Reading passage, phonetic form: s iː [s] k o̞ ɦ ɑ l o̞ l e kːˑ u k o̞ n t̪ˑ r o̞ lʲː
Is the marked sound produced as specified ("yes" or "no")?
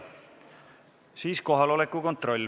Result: yes